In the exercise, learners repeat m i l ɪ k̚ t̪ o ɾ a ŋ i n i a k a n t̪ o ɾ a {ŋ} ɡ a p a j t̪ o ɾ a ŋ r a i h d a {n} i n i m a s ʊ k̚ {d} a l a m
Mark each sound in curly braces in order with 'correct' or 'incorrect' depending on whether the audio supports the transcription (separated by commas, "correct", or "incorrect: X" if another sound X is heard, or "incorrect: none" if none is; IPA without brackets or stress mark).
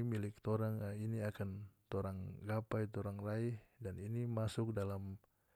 correct, correct, correct